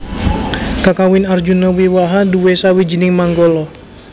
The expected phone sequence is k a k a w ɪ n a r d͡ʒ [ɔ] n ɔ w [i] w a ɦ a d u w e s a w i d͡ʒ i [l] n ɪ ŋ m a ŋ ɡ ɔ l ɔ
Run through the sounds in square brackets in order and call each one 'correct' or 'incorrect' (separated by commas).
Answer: incorrect, correct, incorrect